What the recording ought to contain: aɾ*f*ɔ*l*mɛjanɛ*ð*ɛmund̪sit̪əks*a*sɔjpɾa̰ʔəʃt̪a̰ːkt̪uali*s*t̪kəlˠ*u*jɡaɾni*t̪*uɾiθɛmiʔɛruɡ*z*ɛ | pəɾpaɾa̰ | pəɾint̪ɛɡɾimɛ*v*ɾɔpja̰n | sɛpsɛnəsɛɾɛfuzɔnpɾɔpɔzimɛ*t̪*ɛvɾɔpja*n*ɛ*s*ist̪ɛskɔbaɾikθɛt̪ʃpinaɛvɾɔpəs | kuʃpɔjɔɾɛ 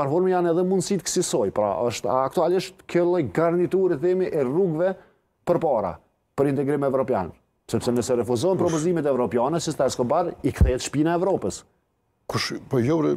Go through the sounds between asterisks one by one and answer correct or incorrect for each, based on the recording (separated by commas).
correct, incorrect, correct, incorrect, incorrect, incorrect, correct, incorrect, correct, correct, correct, correct